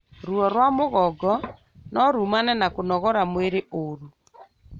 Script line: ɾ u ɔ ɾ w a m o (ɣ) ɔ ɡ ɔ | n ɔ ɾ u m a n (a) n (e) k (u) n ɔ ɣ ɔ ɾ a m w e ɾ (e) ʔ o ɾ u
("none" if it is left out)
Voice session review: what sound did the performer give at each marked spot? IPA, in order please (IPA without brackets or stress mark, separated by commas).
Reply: ɣ, ɛ, a, o, e